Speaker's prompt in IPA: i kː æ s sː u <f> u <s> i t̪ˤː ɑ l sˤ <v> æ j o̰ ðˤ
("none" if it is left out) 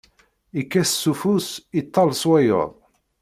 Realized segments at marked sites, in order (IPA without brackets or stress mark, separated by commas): f, s, w